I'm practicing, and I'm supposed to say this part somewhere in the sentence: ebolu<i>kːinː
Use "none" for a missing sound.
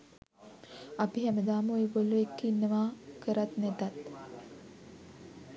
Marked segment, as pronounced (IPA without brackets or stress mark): e